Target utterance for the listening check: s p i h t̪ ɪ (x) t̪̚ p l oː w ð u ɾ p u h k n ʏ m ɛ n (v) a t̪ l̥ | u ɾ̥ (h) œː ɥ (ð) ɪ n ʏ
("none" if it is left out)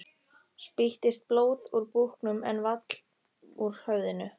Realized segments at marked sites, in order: s, v, h, ð

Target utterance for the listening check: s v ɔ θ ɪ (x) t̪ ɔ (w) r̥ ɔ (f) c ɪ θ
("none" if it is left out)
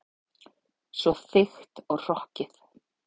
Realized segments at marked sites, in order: x, ɣ, h

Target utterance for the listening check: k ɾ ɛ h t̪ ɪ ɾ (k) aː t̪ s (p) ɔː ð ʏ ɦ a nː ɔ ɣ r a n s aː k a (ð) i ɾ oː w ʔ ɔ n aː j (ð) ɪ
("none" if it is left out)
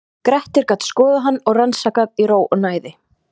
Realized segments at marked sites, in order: k, k, ð, ð

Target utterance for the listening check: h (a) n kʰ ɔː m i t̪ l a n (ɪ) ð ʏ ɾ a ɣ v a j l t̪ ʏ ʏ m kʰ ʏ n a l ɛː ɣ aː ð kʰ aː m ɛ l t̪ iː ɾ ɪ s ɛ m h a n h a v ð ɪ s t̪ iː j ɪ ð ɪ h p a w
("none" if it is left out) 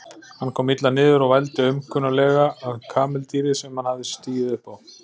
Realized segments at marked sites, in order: a, ɪː

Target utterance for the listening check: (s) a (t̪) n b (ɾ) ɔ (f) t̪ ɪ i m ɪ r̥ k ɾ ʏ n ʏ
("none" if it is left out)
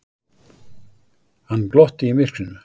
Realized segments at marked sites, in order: h, none, l, h

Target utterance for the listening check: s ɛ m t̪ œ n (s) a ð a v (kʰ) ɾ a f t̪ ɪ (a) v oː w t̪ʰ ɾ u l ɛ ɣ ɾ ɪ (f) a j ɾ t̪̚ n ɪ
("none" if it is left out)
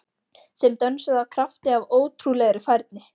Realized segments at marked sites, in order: s, kʰ, a, f

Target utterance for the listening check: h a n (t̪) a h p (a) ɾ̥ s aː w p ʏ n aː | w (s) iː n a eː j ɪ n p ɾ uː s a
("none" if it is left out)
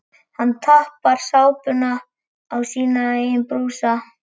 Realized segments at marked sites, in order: t̪ʰ, a, s

